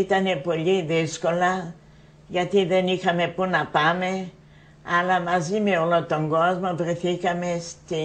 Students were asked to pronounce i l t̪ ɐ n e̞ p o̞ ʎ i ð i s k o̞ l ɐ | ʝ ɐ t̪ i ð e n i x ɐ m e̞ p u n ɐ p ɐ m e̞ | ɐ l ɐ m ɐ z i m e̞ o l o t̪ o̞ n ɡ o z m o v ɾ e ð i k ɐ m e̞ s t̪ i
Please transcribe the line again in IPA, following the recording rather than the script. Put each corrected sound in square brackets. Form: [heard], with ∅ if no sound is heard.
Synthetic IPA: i [∅] t̪ ɐ n e̞ p o̞ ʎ i ð i s k o̞ l ɐ | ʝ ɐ t̪ i ð e n i x ɐ m e̞ p u n ɐ p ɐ m e̞ | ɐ l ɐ m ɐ z i m e̞ o l o t̪ o̞ [ŋ] ɡ o z m o v ɾ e [θ] i k ɐ m e̞ s t̪ i